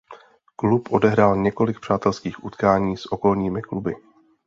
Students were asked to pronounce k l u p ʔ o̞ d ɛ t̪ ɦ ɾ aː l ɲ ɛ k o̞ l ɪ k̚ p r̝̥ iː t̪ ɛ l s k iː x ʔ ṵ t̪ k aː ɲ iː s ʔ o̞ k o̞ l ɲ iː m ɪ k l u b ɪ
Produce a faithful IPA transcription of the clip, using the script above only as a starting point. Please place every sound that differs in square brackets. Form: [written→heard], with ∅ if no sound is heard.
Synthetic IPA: k l u p ʔ o̞ d ɛ [t̪→∅] ɦ ɾ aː l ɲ ɛ k o̞ l ɪ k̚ p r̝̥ [iː→aː] t̪ ɛ l s k iː x ʔ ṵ t̪ k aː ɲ iː s ʔ o̞ k o̞ l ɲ iː m ɪ k l u b ɪ